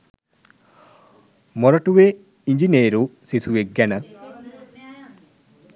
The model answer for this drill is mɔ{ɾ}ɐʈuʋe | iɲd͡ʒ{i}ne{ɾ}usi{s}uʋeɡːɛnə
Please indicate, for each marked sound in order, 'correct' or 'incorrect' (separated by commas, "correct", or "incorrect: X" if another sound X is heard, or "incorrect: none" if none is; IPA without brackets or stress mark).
correct, correct, correct, correct